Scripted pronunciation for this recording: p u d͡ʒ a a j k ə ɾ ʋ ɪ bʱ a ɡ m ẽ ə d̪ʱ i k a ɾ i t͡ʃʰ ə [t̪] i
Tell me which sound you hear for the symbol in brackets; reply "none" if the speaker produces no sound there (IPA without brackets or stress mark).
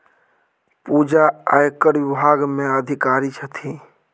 t̪ʰ